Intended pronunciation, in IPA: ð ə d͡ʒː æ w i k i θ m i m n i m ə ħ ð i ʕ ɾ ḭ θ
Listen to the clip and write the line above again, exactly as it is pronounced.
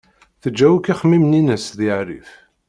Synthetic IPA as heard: θ ə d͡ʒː æ w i k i χ m i m n i n ə s ð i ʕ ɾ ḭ f